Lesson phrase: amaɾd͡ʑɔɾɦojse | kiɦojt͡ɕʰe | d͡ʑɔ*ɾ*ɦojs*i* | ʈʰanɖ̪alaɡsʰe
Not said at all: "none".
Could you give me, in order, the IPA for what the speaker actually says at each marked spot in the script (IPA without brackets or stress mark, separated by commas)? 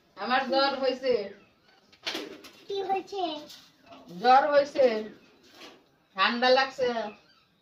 ɾ, e